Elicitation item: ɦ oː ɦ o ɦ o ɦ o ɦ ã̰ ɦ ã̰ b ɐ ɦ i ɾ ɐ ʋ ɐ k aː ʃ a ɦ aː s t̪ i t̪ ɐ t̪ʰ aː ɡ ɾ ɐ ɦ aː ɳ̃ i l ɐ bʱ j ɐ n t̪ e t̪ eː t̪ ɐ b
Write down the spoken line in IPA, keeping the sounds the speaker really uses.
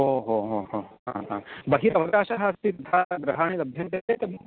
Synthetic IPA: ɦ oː ɦ o ɦ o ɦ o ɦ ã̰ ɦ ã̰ b ɐ ɦ i ɾ ɐ ʋ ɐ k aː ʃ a ɦ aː s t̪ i t̪ ɐ t̪ʰ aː ɡ ɾ ɐ ɦ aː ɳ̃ i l ɐ bʱ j ɐ n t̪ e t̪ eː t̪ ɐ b